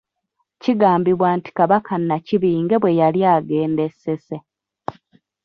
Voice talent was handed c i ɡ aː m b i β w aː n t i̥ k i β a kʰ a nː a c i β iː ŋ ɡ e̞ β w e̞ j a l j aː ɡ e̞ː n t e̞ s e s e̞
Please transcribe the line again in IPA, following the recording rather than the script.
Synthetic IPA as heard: c i ɡ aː m b i β w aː n t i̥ k a β a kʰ a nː a c i β iː ŋ ɡ e̞ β w e̞ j a l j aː ɡ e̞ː n d e̞ s e s e̞